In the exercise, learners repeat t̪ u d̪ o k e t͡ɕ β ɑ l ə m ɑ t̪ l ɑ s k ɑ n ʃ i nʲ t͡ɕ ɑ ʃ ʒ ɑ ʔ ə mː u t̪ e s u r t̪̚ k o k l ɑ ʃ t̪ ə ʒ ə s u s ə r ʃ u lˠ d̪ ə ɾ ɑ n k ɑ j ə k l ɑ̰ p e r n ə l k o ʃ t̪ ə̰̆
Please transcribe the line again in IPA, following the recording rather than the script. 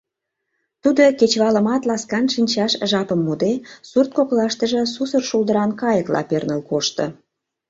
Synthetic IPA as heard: t̪ u d̪ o k e t͡ɕ β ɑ l ə m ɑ t̪ l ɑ s k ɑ n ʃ i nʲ t͡ɕ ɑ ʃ ʒ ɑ p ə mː u d̪ e s u r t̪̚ k o k l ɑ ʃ t̪ ə ʒ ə s u s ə r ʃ u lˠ d̪ ə ɾ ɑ n k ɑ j ə k l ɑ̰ p e r n ə l k o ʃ t̪ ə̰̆